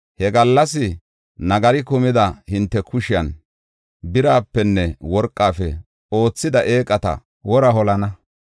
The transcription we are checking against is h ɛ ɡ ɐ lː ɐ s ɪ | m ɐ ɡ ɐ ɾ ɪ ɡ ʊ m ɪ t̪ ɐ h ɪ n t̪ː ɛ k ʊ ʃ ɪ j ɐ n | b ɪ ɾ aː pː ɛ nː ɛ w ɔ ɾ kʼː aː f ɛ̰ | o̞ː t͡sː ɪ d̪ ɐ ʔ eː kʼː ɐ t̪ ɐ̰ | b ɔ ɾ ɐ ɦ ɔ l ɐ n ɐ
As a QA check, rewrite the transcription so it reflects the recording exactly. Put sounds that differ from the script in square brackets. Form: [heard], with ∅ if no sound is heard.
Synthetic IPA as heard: h ɛ ɡ ɐ lː ɐ s ɪ | [n] ɐ ɡ ɐ ɾ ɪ [k] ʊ m ɪ [d̪] ɐ h ɪ n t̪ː ɛ k ʊ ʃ ɪ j ɐ n | b ɪ ɾ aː pː ɛ nː ɛ w ɔ ɾ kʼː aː f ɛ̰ | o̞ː t͡sː ɪ d̪ ɐ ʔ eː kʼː ɐ t̪ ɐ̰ | [w] ɔ ɾ ɐ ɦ ɔ l ɐ n ɐ